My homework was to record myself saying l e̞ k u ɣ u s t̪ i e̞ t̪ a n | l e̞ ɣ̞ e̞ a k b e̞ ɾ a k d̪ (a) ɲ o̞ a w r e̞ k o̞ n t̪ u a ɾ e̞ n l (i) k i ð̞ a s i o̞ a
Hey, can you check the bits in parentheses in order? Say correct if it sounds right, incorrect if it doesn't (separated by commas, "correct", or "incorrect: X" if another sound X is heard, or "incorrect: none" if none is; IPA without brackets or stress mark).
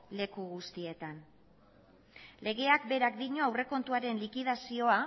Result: incorrect: i, correct